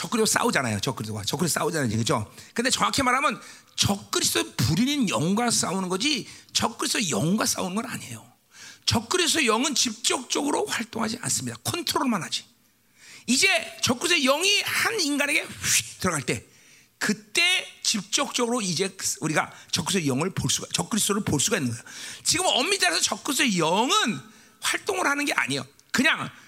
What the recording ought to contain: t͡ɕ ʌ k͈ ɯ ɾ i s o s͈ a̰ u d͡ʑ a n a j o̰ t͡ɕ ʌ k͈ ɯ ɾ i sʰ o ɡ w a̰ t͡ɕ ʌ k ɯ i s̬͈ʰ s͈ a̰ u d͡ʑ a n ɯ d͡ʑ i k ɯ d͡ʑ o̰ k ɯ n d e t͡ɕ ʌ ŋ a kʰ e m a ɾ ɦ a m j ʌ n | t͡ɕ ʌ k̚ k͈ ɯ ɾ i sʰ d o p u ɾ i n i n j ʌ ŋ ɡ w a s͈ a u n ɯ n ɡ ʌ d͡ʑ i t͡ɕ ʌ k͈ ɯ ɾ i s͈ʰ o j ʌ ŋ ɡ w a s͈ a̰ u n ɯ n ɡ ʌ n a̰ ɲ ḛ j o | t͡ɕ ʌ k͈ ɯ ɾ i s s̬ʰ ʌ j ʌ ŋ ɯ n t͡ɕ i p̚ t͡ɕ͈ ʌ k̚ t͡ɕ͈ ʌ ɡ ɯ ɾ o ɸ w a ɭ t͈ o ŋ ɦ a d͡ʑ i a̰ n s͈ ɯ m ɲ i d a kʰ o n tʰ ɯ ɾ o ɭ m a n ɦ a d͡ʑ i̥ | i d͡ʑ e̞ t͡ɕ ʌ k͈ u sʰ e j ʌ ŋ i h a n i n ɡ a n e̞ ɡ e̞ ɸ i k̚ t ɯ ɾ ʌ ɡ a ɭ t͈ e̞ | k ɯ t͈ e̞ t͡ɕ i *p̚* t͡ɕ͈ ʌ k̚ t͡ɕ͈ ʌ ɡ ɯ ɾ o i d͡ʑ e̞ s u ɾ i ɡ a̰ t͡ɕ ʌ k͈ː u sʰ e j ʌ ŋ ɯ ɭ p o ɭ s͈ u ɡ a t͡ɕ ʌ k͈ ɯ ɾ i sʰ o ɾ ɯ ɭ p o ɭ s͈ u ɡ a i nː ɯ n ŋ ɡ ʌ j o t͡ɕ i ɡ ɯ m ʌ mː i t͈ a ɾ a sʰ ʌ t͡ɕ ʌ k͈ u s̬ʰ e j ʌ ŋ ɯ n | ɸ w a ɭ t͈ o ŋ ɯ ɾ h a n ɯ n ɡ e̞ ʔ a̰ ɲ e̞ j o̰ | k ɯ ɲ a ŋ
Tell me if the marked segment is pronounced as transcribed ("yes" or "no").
yes